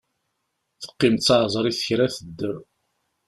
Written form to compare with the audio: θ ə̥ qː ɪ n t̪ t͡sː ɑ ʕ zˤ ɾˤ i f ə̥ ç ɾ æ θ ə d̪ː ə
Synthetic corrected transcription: θ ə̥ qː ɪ m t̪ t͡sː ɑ ʕ zˤ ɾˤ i θ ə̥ ç ɾ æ θ ə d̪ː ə